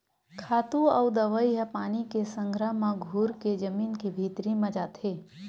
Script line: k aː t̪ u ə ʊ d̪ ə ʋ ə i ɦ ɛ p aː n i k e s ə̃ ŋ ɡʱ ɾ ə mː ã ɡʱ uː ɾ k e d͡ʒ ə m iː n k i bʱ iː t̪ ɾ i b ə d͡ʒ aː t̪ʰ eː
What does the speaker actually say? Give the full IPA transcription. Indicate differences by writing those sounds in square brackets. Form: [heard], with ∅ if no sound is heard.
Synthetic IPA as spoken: [kʰ] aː t̪ u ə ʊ d̪ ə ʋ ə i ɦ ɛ p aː n i k e s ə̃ ŋ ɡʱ ɾ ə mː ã ɡʱ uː ɾ k e d͡ʒ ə m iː n k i bʱ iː t̪ ɾ i [m] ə d͡ʒ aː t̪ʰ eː